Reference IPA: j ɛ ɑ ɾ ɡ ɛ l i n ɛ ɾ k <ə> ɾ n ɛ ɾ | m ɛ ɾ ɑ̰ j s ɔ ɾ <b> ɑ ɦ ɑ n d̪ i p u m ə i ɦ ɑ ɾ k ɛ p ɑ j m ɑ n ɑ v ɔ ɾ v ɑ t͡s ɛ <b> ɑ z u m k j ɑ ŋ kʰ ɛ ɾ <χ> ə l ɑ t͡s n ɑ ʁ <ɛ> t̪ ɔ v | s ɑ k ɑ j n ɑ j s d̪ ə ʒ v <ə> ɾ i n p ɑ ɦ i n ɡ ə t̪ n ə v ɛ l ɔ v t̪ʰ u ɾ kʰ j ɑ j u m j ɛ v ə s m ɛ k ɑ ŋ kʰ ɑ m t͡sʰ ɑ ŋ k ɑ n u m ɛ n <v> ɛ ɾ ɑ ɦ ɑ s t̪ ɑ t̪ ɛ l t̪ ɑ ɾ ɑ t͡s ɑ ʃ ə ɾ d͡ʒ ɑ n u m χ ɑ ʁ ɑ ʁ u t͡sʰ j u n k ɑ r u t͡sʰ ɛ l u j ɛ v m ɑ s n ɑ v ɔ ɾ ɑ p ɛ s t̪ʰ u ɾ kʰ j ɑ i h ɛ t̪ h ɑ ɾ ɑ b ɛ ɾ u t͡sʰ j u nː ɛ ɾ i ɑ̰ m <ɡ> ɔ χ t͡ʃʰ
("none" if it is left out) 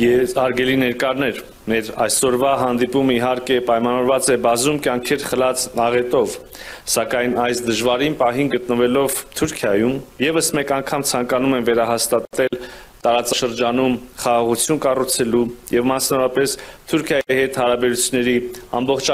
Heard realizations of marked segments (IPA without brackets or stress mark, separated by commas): ɑ, v, b, χ, ɛ, ɑ, v, b